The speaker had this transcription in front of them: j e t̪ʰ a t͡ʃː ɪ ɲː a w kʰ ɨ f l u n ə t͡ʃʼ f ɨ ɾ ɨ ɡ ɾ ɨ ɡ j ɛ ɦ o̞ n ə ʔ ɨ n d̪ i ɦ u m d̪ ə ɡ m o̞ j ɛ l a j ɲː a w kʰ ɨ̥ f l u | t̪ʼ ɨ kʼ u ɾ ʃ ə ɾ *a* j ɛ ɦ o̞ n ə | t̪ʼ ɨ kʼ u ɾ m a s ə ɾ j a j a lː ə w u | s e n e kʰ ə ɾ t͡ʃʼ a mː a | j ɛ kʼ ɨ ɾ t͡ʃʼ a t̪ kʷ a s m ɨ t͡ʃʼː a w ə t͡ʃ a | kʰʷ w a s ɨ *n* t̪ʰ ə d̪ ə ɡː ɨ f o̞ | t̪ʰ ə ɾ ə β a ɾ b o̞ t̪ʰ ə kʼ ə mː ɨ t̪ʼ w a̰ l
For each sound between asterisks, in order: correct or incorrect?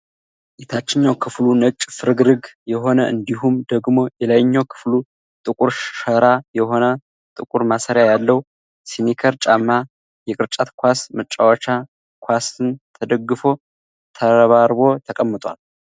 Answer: correct, correct

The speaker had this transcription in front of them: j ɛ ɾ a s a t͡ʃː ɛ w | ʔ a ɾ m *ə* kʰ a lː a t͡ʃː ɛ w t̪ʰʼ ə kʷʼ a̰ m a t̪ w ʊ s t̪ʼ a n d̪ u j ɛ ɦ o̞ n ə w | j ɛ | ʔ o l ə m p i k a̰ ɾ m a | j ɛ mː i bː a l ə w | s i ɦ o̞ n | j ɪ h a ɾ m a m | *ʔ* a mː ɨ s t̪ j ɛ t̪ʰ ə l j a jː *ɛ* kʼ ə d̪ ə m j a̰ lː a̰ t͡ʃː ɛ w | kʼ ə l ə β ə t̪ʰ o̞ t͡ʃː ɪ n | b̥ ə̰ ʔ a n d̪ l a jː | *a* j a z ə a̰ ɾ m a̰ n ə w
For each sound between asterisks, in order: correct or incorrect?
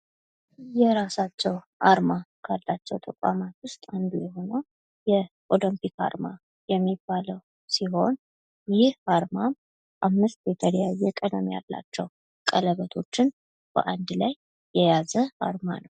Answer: incorrect: a, correct, correct, incorrect: ɛ

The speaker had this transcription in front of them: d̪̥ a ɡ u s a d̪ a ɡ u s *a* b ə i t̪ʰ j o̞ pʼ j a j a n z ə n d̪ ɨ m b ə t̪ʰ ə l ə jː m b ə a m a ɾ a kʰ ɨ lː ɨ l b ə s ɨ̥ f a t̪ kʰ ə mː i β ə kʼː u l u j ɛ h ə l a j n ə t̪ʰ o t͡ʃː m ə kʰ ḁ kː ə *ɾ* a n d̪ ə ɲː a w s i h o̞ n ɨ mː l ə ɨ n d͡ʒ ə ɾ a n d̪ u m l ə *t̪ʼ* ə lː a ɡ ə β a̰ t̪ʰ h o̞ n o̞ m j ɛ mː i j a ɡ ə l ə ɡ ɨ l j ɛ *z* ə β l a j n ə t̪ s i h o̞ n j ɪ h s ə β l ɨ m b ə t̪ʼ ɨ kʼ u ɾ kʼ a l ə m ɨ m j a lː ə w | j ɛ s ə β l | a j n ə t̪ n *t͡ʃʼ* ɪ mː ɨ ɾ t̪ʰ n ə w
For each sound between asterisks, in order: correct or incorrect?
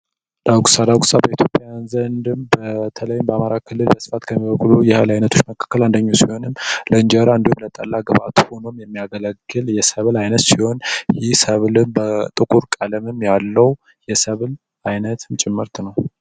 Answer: correct, incorrect: l, correct, incorrect: s, correct

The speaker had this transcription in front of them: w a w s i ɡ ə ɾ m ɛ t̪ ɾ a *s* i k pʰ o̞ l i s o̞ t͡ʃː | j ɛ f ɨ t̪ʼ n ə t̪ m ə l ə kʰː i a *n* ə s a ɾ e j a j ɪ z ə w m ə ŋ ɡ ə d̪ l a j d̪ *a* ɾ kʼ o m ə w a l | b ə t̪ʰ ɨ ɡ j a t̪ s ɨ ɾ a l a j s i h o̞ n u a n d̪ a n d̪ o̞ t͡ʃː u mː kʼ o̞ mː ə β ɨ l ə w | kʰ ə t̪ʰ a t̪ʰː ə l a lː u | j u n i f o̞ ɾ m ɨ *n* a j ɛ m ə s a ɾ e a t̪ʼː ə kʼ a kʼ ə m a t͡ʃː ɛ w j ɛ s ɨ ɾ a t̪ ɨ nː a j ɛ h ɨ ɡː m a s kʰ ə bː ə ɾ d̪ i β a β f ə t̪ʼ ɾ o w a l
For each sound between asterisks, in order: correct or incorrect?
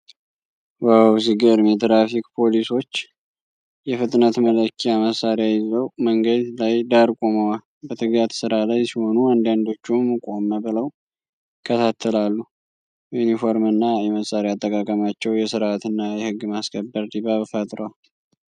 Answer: incorrect: f, incorrect: m, correct, incorrect: nː

